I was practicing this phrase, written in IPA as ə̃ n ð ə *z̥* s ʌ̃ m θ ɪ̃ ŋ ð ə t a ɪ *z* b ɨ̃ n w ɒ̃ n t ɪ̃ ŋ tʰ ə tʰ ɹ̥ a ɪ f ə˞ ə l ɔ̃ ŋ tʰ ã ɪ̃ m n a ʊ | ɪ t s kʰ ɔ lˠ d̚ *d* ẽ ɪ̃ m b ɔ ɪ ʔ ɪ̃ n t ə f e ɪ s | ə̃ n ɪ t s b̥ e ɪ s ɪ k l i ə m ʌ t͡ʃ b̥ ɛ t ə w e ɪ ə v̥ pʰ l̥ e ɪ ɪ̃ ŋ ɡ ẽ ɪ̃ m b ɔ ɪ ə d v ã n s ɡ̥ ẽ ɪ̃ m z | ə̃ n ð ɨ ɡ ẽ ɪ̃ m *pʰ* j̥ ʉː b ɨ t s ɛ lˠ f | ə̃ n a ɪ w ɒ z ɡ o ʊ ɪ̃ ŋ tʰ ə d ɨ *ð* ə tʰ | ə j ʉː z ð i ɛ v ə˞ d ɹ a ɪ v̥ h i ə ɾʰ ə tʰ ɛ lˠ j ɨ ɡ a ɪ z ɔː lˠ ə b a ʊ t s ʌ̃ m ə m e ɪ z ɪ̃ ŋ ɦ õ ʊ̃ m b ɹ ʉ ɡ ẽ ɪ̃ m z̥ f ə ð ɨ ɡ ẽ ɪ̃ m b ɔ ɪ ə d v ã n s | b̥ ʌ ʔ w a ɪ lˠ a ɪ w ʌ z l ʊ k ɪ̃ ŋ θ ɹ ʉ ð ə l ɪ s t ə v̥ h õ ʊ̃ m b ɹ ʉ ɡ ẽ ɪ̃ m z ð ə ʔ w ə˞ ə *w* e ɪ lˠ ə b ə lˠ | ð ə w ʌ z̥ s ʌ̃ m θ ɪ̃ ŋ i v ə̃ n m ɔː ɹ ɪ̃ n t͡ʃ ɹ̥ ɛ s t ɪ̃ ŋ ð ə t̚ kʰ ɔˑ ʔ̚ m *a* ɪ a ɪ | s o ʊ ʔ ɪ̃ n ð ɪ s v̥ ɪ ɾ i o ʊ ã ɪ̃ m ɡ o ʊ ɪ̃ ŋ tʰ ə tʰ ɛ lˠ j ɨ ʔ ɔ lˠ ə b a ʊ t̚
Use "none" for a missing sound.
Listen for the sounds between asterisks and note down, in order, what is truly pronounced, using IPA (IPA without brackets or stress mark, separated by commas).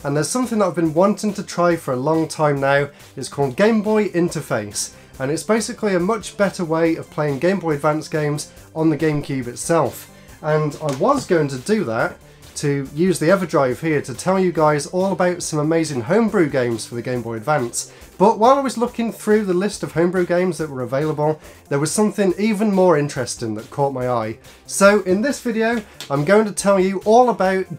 z̥, v, ɡ, kʰ, ð, v, a